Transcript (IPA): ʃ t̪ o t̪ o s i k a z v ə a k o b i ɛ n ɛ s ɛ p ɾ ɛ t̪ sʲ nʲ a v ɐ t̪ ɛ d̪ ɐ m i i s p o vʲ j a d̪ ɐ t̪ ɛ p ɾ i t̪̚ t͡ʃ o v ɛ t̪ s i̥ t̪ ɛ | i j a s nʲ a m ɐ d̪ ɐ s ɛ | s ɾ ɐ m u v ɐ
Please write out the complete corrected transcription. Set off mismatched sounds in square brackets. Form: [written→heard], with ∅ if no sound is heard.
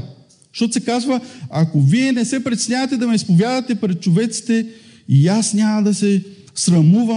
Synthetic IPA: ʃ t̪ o t̪ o s [i→ɛ] k a z v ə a k o [b→v] i ɛ n ɛ s ɛ p ɾ ɛ t̪ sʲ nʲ a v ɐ t̪ ɛ d̪ ɐ m [i→ɛ] i s p o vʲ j a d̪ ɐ t̪ ɛ p ɾ [i→ɛ] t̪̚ t͡ʃ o v ɛ t̪ s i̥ t̪ ɛ | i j a s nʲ a m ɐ d̪ ɐ s ɛ | s ɾ ɐ m u v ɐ